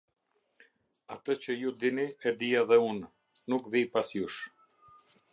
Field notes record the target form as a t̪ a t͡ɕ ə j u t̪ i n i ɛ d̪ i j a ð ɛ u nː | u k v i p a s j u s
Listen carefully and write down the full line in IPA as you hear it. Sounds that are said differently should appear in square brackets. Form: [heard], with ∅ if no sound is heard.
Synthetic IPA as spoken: a t̪ [ə] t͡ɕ ə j u [d̪] i n i ɛ d̪ i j a ð ɛ u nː | u k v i p a s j u [ʃ]